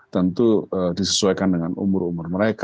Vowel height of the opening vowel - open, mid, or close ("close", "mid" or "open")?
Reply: mid